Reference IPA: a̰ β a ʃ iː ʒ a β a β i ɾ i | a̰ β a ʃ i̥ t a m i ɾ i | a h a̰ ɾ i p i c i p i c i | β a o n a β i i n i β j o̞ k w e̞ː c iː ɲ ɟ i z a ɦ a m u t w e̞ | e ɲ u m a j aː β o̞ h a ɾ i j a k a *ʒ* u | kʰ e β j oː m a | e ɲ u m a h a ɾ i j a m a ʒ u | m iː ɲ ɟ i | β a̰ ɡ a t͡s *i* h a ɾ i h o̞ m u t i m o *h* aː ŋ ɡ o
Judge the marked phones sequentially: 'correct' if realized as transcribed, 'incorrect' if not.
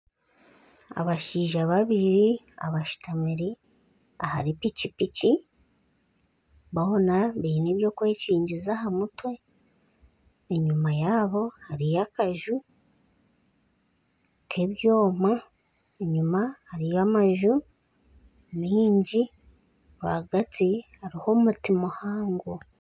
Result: correct, correct, correct

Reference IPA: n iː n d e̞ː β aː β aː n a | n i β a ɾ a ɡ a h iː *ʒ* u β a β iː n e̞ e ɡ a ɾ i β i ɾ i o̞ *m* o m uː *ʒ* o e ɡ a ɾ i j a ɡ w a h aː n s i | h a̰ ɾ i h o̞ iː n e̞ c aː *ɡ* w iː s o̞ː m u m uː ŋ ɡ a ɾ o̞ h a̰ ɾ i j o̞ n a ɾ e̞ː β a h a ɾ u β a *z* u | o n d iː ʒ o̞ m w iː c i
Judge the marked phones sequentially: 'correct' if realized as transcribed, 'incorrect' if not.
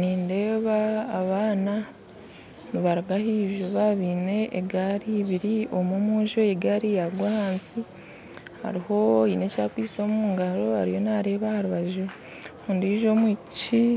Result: correct, correct, correct, incorrect, incorrect

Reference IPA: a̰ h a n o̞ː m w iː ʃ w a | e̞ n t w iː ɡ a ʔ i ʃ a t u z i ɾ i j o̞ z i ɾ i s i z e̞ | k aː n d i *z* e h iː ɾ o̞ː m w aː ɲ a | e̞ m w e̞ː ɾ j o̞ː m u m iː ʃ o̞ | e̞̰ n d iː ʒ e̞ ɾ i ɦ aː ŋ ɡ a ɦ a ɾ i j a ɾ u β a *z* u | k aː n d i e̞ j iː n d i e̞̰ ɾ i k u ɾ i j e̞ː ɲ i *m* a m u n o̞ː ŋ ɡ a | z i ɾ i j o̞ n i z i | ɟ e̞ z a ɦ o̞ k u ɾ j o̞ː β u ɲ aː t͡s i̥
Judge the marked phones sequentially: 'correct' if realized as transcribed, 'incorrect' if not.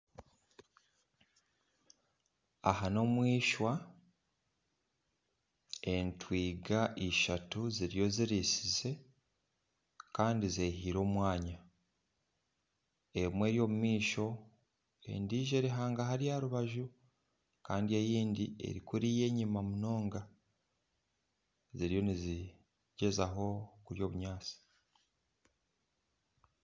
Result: correct, incorrect, correct

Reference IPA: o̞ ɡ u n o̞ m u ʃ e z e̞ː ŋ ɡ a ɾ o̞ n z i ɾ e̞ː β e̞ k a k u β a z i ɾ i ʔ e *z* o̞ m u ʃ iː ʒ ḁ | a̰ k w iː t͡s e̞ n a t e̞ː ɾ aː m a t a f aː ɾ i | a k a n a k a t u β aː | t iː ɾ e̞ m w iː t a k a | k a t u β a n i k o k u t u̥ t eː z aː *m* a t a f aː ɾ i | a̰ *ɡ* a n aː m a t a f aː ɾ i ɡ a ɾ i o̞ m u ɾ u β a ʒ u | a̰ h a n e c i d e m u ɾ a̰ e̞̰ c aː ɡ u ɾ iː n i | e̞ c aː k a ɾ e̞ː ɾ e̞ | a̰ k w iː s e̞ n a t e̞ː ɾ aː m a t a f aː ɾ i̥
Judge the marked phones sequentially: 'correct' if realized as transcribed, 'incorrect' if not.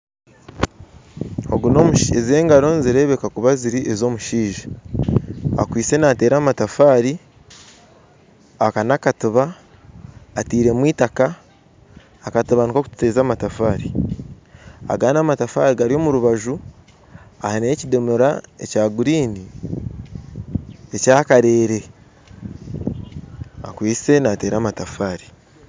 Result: correct, correct, correct

